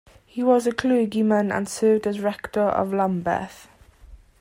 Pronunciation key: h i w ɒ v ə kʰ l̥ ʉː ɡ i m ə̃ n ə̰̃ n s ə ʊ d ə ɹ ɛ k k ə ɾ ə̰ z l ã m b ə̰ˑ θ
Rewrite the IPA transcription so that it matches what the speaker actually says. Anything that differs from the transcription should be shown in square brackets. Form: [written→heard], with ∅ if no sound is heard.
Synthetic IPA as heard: h i w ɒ [v→z] ə kʰ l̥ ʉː ɡ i m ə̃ n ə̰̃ n s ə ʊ d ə ɹ ɛ k [k→t] ə [ɾ→ɹ] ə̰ [z→v] l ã m b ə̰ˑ θ